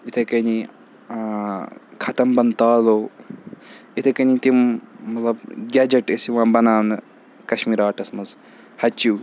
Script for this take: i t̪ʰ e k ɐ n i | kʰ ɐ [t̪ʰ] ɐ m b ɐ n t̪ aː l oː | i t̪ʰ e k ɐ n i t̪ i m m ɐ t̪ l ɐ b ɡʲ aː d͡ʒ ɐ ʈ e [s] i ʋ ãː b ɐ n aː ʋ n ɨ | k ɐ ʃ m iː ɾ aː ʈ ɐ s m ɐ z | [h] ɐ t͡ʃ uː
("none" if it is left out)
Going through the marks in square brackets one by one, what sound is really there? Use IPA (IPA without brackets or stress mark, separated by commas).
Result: t̪, s, h